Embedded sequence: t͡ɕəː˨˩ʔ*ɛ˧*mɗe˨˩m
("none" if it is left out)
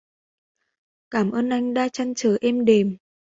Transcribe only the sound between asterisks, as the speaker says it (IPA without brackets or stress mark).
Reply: ɛ˧